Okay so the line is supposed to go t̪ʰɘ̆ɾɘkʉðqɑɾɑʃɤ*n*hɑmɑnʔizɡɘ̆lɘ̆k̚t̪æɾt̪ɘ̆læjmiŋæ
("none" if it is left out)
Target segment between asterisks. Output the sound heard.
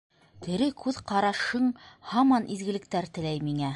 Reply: ɴ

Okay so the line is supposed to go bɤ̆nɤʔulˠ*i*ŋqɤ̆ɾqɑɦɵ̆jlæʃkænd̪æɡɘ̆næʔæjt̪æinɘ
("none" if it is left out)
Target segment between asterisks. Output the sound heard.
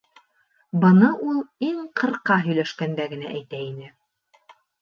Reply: i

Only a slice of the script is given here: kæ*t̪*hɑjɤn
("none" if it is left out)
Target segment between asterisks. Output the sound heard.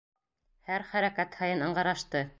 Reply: t̪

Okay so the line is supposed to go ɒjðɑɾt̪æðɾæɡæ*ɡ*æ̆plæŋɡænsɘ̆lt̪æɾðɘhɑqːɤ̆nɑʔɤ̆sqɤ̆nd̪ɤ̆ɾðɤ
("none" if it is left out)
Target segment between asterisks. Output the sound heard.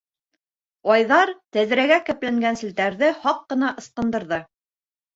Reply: k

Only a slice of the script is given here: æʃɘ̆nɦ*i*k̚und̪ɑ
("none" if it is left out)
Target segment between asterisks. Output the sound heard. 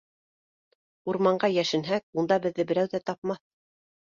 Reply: æ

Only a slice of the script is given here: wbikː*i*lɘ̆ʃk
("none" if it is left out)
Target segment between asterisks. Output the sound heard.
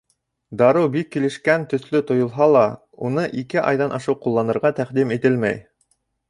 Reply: i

